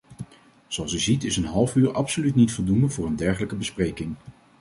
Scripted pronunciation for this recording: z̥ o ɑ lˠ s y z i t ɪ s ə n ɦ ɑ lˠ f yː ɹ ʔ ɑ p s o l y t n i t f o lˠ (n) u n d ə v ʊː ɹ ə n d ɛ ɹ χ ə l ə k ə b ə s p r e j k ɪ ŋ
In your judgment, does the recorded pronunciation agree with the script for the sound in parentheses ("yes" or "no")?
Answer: no